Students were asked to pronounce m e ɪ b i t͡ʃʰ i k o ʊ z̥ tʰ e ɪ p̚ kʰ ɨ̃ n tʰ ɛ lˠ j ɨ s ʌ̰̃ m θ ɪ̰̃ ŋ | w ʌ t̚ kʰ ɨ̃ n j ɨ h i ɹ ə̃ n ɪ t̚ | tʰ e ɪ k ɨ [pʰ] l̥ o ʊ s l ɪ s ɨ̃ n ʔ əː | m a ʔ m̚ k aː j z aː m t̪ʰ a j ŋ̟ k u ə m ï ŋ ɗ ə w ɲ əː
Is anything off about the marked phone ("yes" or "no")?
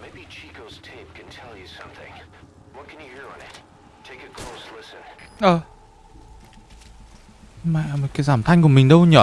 yes